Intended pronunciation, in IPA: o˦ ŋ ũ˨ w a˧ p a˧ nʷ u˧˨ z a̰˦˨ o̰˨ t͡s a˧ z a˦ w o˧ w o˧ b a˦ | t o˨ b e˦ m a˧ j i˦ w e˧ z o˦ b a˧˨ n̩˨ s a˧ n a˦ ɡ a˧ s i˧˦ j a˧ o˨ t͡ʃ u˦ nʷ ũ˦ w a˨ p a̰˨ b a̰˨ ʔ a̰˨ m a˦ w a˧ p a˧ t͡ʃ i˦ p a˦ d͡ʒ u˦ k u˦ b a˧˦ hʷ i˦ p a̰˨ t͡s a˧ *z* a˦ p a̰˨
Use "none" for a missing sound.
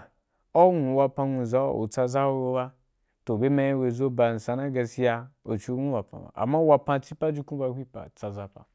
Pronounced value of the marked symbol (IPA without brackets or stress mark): z